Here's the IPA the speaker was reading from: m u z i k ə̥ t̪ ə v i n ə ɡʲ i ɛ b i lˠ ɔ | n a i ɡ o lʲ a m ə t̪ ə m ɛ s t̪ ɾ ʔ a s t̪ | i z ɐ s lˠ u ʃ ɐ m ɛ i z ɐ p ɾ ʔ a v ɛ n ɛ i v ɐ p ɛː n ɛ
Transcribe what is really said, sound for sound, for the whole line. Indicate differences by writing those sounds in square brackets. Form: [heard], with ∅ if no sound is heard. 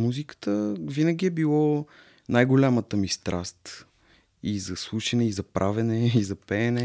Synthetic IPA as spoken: m u z i k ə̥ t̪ ə v i n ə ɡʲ i ɛ b i lˠ ɔ | n a [j] ɡ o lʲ a m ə t̪ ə m [i] s t̪ ɾ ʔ a s t̪ | i z ɐ s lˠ u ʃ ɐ [n] ɛ i z ɐ p ɾ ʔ a v ɛ n ɛ i [z] ɐ p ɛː n ɛ